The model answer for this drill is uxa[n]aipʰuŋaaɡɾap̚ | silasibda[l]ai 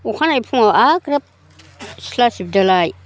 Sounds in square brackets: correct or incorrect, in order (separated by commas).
correct, correct